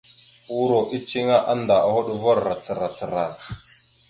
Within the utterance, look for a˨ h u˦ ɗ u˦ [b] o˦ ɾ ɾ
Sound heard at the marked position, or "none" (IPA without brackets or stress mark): v